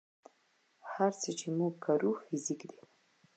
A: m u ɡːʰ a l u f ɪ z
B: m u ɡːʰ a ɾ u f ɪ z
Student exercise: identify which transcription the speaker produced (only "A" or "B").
B